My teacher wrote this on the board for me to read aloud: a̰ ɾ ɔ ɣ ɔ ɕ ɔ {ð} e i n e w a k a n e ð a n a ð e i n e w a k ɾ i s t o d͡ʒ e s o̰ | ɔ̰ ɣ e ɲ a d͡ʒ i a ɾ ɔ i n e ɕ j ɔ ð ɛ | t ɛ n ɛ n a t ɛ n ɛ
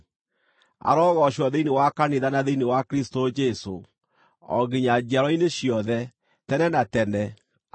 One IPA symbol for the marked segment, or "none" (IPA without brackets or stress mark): ð